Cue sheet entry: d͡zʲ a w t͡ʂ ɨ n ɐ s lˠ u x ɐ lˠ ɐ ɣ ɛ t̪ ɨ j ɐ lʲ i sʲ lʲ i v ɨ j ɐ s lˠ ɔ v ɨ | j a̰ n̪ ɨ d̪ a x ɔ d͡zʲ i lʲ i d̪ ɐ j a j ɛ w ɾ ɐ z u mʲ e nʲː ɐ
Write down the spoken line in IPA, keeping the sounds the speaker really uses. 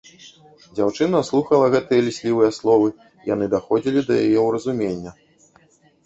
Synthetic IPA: d͡zʲ a w t͡ʂ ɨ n ɐ s lˠ u x ɐ lˠ ɐ ɣ ɛ t̪ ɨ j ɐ lʲ i sʲ lʲ i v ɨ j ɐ s lˠ ɔ v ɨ | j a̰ n̪ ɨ d̪ a x ɔ d͡zʲ i lʲ i d̪ ɐ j a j ɛ w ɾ ɐ z u mʲ e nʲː ɐ